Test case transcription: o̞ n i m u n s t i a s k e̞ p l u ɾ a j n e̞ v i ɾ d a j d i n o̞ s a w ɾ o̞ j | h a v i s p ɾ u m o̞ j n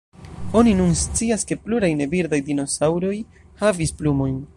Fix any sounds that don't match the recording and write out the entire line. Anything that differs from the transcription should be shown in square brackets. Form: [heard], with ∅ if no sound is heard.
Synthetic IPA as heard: o̞ n i [n] u n s [t͡s] i a s k e̞ p l u ɾ a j n e̞ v i ɾ d a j d i n o̞ s a w ɾ o̞ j | h a v i s p [l] u m o̞ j n